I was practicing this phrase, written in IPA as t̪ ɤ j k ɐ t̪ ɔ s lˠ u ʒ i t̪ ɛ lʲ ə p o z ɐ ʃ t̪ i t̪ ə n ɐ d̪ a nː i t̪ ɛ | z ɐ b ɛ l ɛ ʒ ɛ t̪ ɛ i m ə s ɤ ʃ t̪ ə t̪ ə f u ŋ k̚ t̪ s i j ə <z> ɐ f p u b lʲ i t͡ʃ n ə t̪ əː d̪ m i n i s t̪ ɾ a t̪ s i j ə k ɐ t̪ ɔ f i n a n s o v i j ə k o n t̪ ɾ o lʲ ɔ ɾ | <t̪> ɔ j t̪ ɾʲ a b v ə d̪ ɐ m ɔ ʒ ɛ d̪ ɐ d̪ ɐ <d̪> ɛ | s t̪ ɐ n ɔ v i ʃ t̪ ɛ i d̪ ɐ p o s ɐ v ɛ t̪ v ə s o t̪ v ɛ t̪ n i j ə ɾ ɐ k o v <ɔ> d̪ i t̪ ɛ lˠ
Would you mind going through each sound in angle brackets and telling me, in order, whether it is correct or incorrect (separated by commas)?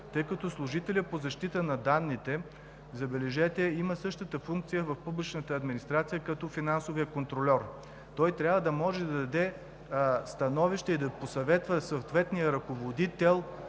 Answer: incorrect, correct, correct, incorrect